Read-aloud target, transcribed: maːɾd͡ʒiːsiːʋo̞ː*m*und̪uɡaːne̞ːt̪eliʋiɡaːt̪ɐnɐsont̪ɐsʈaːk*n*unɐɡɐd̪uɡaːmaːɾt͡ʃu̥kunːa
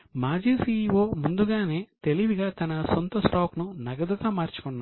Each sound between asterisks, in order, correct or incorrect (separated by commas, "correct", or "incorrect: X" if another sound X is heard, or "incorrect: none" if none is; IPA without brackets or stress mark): correct, correct